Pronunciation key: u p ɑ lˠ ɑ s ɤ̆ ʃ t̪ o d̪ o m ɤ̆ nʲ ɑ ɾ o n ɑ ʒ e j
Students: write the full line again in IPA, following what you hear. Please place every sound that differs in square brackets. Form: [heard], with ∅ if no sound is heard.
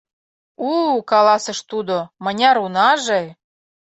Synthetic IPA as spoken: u [k] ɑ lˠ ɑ s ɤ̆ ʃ t̪ [u] d̪ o m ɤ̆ nʲ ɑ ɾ [u] n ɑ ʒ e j